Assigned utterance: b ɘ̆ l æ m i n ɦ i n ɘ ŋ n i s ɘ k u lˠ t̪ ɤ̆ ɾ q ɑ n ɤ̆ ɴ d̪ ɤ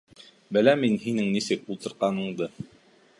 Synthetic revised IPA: b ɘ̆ l æ m i n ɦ i n ɘ ŋ n i s ɘ k u lˠ t̪ ɤ̆ ɾ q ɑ n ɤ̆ ɴ d̪ ɤ